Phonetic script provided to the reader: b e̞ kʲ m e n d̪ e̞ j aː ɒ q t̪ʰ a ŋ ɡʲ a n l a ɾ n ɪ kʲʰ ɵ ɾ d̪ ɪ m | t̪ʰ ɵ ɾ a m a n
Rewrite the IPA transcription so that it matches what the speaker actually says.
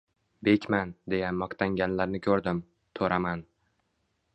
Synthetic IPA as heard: b e̞ kʲ m a n d̪ e̞ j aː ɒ q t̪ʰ a ŋ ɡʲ a n l a ɾ n ɪ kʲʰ ɵ ɾ d̪ ɪ m | t̪ʰ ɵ ɾ a m a n